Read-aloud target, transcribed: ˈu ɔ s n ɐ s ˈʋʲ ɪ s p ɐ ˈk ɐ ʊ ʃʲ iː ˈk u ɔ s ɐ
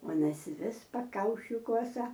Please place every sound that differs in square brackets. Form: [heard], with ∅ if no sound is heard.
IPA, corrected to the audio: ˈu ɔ [∅] n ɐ s ˈʋʲ ɪ s p ɐ ˈk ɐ ʊ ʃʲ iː ˈk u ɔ s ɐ